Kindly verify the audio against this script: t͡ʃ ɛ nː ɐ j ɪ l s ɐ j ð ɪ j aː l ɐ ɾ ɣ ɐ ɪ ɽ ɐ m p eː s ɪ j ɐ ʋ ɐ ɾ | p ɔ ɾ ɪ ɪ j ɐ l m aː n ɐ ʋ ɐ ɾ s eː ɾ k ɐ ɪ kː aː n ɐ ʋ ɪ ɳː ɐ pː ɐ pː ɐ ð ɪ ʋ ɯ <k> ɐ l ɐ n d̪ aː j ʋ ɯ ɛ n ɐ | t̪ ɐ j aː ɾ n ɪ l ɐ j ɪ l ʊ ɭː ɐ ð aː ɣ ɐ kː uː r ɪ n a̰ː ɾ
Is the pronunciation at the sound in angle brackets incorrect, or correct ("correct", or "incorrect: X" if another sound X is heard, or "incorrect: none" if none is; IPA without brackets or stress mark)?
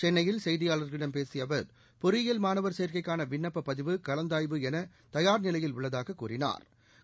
correct